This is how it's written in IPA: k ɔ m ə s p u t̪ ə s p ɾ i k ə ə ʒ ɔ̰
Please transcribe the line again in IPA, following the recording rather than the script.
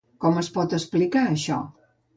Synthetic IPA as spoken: k ɔ m ə s p ɔ t̪ ə s p l i k a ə ʃ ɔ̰